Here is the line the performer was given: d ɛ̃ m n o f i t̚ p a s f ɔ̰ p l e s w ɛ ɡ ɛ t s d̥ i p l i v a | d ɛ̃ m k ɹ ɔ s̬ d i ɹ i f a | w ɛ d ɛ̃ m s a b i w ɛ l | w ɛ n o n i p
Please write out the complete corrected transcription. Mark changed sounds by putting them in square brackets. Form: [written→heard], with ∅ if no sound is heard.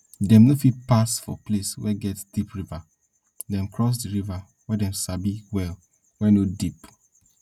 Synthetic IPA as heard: d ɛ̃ m n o f i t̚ p a s f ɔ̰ p l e s w ɛ ɡ ɛ t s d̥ i p [l→ɹ] i v a | d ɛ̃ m k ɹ ɔ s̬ d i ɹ i [f→v] a | w ɛ d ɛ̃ m s a b i w ɛ l | w ɛ n o [n→d] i p

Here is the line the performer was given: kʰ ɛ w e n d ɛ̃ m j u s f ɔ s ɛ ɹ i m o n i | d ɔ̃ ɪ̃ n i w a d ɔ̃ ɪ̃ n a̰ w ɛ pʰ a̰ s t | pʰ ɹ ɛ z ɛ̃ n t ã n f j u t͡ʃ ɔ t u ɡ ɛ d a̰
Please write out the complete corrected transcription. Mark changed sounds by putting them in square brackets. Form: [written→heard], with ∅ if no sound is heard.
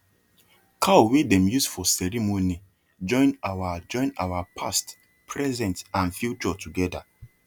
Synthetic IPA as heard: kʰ [ɛ→a] w e [n→∅] d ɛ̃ m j u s f ɔ s ɛ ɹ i m o n i | [d→d͡ʒ] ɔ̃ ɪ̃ n [i→a] w a [d→d͡ʒ] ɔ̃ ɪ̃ n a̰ w [ɛ→a] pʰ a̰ s t | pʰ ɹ ɛ z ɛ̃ n t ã n f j u t͡ʃ ɔ t u ɡ ɛ d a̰

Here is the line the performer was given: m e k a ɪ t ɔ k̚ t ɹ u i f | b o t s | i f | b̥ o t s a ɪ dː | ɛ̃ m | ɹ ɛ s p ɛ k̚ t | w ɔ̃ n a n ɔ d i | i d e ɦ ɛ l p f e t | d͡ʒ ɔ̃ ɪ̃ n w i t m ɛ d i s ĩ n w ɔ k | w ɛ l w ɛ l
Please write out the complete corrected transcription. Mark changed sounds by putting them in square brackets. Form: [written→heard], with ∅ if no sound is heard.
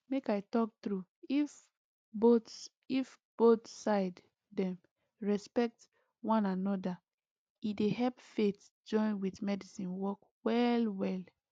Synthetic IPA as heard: m e k a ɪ t ɔ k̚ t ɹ u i f | b o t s | i f | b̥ o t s a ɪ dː | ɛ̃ m | ɹ ɛ s p ɛ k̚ t | w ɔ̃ n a n ɔ d [i→a] | i d e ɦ ɛ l p f e t | d͡ʒ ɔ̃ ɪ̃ n w i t m ɛ d i s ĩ n w ɔ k | w ɛ l w ɛ l

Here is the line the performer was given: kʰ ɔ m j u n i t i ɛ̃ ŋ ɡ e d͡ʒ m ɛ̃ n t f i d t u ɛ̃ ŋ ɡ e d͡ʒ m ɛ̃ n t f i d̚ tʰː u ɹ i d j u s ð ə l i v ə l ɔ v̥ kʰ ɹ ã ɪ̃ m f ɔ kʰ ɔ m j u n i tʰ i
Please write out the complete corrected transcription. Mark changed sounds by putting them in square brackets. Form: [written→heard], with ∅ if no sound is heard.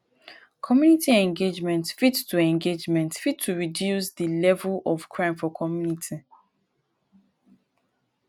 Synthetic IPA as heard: kʰ ɔ m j u n i t i ɛ̃ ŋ ɡ e d͡ʒ m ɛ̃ n t f i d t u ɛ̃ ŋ ɡ e d͡ʒ m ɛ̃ n t f i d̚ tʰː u ɹ i d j u s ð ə l [i→ɛ] v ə l ɔ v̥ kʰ ɹ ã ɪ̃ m f ɔ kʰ ɔ m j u n i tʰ i

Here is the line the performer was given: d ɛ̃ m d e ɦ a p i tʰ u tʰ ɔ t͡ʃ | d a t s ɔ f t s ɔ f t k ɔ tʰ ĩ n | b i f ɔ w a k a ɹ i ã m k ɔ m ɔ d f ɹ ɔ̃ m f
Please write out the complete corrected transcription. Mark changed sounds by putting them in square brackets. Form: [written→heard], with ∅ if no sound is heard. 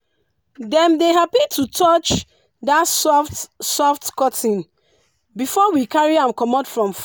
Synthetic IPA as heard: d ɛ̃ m d e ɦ a p i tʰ u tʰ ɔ t͡ʃ | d a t s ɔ f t s ɔ f t k ɔ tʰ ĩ n | b i f ɔ w [a→i] k a ɹ i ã m k ɔ m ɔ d f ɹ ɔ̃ m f

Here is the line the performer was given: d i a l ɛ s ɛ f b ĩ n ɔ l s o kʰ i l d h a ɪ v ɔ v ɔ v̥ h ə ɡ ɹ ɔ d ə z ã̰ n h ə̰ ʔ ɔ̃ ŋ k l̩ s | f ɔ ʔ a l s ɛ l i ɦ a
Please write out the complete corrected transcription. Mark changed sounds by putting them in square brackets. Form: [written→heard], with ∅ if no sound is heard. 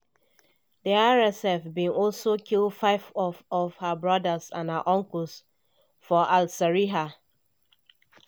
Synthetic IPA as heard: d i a [l→ɹ] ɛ s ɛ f b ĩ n ɔ l s o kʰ i l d [h→f] a ɪ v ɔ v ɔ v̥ h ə [ɡ→b] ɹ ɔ d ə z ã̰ n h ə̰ ʔ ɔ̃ ŋ k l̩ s | f ɔ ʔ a l s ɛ [l→ɹ] i ɦ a

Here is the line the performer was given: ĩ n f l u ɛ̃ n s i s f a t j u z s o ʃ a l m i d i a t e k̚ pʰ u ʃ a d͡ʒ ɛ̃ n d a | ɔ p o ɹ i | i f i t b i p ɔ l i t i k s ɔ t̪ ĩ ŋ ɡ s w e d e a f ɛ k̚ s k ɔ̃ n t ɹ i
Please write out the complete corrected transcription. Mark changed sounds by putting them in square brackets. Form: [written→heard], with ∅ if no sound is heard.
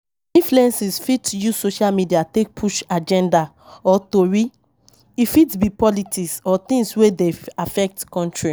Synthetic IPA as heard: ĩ n f l u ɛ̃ n s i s f [a→i] t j u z s o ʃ a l m i d i a t e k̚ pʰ u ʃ a d͡ʒ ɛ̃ n d a | ɔ [p→t] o ɹ i | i f i t b i p ɔ l i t i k s ɔ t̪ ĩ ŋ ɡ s w e d e a f ɛ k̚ [s→t] k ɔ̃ n t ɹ i

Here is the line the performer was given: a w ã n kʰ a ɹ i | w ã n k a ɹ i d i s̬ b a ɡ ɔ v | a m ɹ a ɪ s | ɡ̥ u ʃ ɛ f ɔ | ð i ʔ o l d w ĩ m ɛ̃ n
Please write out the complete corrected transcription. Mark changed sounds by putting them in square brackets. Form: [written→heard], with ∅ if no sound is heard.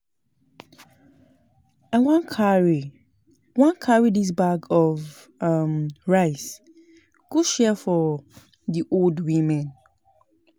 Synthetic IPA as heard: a w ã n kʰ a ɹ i | w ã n [k→kʰ] a ɹ i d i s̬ b a ɡ ɔ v | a m ɹ a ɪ s | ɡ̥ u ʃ ɛ f ɔ | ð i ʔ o l d w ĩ m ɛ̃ n

